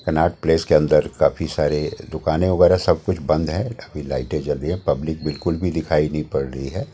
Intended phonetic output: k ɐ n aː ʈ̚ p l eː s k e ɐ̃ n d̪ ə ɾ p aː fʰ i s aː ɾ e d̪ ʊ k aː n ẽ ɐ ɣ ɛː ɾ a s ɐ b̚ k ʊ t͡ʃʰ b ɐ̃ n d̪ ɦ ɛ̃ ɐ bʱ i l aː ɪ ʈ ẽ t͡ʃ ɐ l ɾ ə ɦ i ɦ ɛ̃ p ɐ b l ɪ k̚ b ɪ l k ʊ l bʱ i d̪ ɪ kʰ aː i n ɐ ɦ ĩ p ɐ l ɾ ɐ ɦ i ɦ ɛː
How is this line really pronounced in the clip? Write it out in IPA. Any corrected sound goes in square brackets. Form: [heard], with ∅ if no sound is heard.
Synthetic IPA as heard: k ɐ n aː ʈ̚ p l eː s k e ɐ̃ n d̪ ə ɾ [k] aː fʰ i s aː ɾ e d̪ ʊ k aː n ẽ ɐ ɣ ɛː ɾ a s ɐ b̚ k ʊ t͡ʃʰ b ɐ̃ n d̪ ɦ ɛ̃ ɐ bʱ i l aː ɪ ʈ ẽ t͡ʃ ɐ l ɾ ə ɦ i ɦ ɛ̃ p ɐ b l ɪ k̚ b ɪ l k ʊ l bʱ i d̪ ɪ kʰ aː i n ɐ ɦ ĩ p ɐ [ɽ] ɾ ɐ ɦ i ɦ ɛː

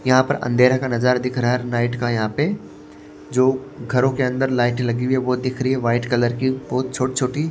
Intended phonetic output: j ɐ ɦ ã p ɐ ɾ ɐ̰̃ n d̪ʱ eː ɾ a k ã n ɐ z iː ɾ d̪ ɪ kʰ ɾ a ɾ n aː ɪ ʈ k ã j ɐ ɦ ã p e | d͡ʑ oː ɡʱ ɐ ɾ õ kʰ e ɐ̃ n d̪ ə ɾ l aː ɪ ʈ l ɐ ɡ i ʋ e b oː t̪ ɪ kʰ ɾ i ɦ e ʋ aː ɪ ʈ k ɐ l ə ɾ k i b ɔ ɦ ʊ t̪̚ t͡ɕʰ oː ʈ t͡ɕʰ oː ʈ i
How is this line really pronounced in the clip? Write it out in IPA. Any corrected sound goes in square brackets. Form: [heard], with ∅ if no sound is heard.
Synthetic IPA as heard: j ɐ ɦ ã p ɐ ɾ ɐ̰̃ n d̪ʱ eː ɾ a k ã n ɐ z [aː] ɾ d̪ ɪ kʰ ɾ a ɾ n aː ɪ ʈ k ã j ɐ ɦ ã p e | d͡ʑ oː ɡʱ ɐ ɾ õ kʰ e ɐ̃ n d̪ ə ɾ l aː ɪ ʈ l ɐ ɡ i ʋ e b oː [d̪] ɪ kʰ ɾ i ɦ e ʋ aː ɪ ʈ k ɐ l ə ɾ k i b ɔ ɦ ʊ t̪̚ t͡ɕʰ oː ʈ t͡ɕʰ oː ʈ i

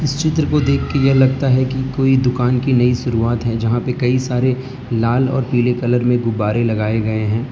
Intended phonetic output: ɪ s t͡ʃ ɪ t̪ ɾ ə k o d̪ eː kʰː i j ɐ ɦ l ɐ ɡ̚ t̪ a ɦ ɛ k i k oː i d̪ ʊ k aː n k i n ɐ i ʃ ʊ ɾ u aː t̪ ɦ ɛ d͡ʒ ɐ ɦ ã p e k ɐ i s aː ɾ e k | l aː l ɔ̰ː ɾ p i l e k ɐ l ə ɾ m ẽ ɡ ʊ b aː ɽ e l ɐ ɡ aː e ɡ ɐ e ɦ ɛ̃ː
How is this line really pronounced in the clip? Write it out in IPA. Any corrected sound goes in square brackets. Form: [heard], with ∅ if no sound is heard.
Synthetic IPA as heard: ɪ s t͡ʃ ɪ t̪ ɾ ə k o d̪ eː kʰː [e] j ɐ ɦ l ɐ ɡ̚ t̪ a ɦ ɛ k i k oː i d̪ ʊ k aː n k i n ɐ i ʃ ʊ ɾ u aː t̪ ɦ ɛ d͡ʒ ɐ ɦ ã p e k ɐ i s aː ɾ e [∅] | l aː l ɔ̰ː ɾ p [iː] l e k ɐ l ə ɾ m ẽ ɡ ʊ b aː [ɾ] e l ɐ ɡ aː e ɡ ɐ e ɦ ɛ̃ː

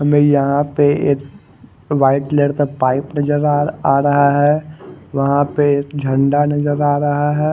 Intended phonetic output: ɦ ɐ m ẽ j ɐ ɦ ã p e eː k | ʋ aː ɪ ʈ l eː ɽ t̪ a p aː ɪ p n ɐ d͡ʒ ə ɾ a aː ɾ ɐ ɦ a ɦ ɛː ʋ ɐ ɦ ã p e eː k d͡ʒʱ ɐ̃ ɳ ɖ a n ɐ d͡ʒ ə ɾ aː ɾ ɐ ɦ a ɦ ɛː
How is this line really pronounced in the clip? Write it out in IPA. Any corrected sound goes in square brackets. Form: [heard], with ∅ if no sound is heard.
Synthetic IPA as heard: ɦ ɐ m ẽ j ɐ ɦ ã p e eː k | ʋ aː ɪ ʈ l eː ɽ t̪ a p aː ɪ p n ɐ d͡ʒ ə ɾ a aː ɾ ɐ ɦ a ɦ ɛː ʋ ɐ ɦ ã p e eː k d͡ʒʱ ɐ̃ ɳ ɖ a n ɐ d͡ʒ ə ɾ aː ɾ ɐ ɦ a ɦ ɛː

